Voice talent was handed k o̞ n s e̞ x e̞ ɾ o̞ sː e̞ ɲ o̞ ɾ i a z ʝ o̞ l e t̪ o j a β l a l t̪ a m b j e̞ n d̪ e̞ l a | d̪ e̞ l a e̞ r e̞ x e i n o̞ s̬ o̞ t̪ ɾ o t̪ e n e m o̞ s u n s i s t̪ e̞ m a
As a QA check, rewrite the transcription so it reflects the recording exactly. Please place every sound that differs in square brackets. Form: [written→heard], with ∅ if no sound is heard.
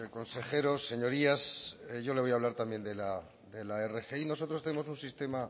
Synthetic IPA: k o̞ n s e̞ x e̞ ɾ o̞ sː e̞ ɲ o̞ ɾ i a [z→s] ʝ o̞ l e [t̪→∅] o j a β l a [l→ɾ] t̪ a m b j e̞ n d̪ e̞ l a | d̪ e̞ l a e̞ r e̞ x e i n o̞ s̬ o̞ t̪ ɾ o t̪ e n e m o̞ s u n s i s t̪ e̞ m a